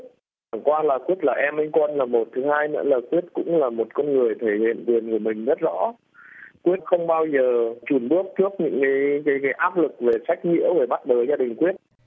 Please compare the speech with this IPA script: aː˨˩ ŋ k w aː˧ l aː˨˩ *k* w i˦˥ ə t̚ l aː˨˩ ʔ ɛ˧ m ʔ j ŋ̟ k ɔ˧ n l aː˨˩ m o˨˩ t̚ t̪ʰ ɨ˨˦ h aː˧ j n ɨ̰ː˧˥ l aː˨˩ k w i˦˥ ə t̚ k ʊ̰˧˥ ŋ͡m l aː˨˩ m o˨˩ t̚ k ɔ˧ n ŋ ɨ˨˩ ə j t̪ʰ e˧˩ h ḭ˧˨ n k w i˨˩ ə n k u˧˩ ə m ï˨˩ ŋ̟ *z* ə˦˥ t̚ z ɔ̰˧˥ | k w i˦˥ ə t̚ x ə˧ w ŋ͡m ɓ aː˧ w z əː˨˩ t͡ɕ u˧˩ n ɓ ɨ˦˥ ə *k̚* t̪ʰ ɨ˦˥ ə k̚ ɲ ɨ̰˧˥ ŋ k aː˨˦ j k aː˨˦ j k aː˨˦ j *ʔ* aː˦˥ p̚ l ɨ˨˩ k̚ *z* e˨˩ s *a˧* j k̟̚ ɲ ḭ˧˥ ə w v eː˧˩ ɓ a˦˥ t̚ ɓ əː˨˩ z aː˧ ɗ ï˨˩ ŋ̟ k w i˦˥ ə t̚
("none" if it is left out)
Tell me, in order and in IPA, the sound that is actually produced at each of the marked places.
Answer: k, z, k̚, ʔ, v, a˦˥

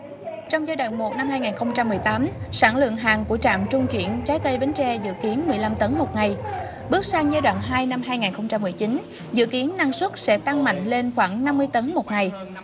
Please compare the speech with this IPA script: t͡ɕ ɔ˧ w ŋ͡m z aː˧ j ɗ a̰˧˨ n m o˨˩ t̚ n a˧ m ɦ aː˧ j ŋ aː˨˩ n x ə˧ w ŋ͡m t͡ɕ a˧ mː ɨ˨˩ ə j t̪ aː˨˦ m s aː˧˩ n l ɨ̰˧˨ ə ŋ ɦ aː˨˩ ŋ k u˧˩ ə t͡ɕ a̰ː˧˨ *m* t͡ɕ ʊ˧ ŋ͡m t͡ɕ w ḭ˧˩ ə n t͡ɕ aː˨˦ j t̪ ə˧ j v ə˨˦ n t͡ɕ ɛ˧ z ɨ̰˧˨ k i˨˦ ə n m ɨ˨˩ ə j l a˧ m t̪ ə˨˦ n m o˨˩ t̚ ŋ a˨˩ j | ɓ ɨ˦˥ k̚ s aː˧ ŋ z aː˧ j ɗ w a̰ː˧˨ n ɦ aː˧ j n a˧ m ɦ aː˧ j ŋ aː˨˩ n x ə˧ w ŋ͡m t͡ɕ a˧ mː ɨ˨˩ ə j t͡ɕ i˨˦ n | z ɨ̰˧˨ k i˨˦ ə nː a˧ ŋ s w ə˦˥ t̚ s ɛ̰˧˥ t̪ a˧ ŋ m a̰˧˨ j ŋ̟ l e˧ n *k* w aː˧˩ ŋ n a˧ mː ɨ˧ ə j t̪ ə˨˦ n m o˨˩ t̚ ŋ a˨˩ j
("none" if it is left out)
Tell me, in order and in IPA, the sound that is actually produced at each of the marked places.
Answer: m, x

